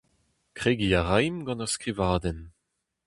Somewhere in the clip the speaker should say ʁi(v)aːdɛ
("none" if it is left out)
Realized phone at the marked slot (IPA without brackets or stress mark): v